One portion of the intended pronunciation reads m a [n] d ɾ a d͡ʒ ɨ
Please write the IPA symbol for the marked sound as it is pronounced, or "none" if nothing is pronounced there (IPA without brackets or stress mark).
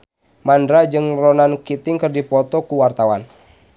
n